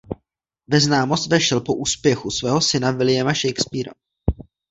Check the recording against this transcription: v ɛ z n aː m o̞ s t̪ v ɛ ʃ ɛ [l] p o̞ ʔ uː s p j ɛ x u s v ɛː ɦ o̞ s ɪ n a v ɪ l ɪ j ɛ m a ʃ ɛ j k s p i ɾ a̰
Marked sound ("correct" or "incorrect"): correct